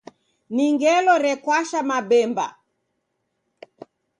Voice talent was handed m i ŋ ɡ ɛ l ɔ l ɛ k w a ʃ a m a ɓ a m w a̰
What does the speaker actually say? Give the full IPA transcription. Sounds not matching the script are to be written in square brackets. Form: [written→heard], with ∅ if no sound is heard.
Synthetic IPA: [m→n] i ŋ ɡ ɛ l ɔ [l→ɾ] ɛ k w a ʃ a m a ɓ [a→ɛ] m [w→b] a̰